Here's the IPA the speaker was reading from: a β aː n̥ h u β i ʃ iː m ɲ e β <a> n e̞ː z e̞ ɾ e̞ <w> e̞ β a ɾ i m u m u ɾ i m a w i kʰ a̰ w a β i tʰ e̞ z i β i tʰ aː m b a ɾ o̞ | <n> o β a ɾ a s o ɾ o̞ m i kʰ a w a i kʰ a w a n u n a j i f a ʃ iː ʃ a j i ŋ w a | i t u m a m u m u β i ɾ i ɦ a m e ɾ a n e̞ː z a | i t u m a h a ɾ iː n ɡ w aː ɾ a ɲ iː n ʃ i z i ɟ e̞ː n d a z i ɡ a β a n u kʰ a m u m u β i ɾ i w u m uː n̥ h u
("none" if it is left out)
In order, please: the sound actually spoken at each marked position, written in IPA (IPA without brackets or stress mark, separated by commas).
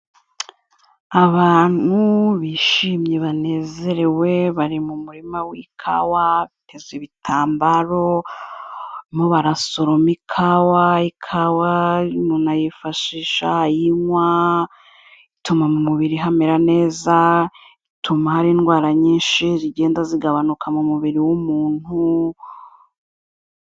a, w, m